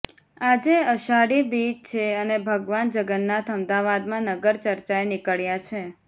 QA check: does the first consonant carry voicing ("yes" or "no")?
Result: yes